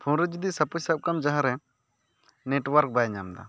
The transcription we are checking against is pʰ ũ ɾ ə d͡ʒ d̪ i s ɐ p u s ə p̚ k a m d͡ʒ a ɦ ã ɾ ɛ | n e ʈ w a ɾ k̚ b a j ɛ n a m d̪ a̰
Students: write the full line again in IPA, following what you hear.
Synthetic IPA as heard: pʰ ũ ɾ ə d͡ʒ d̪ i s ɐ p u s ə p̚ k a m d͡ʒ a ɦ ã ɾ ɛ | n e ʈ w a ɾ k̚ b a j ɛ ɲ a m d̪ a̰